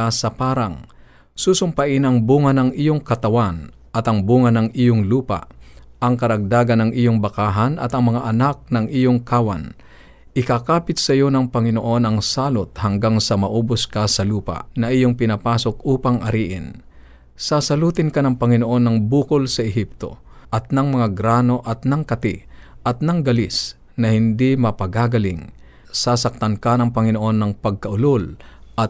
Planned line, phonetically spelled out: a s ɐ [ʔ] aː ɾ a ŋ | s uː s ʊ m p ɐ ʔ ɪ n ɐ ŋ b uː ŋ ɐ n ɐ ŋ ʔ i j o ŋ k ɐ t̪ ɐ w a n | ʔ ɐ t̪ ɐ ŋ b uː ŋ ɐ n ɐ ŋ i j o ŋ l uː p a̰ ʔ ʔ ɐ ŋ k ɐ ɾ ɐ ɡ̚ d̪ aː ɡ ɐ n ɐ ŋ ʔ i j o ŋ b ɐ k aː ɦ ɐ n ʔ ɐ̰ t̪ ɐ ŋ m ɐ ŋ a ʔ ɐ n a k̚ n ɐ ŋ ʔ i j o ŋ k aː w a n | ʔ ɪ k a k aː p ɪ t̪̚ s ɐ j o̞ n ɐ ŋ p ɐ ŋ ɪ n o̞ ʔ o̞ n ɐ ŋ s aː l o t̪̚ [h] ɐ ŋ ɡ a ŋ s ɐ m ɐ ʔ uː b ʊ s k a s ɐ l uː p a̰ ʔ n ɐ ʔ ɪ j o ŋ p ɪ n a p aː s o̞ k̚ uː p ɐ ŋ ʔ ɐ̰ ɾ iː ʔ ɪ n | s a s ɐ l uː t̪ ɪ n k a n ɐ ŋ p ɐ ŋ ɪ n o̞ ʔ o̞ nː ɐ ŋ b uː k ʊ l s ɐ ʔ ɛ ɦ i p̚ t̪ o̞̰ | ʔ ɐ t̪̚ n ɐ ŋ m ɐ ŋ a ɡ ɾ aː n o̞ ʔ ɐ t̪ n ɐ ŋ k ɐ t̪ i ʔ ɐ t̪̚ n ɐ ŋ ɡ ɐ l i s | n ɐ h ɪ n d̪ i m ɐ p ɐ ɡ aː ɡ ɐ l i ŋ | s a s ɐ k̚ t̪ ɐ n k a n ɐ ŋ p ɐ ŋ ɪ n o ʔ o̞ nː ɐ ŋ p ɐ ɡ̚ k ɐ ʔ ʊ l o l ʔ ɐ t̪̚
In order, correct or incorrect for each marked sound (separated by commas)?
incorrect, correct